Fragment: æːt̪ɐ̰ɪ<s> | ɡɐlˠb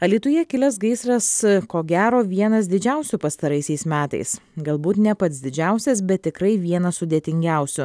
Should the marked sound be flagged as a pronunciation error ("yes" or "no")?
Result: no